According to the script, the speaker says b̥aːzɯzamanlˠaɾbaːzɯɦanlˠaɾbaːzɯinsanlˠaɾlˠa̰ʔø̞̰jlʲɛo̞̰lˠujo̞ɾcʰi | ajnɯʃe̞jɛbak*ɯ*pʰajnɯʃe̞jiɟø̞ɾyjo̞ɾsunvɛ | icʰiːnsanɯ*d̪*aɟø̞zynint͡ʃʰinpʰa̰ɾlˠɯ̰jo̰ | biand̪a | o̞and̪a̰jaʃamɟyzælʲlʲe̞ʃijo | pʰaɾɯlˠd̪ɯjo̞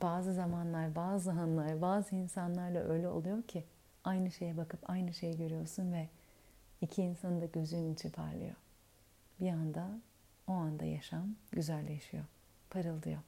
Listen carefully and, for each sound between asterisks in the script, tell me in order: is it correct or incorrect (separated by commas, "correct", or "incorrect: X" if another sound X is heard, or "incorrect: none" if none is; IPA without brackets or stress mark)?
correct, correct